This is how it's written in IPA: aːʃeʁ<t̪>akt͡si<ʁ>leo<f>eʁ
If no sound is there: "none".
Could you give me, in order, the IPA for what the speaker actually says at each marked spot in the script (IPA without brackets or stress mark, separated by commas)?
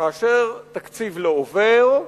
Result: t̪, v, v